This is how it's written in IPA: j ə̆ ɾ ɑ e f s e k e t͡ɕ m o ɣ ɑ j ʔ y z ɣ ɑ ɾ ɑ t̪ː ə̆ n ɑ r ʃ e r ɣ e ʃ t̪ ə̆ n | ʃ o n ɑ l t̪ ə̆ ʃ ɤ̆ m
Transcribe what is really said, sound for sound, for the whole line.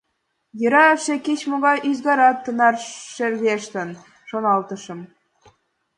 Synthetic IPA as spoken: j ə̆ ɾ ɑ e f ʃ e k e t͡ɕ m o ɣ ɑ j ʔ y z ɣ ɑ ɾ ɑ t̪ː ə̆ n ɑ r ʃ e r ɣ e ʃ t̪ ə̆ n | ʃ o n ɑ l t̪ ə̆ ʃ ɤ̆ m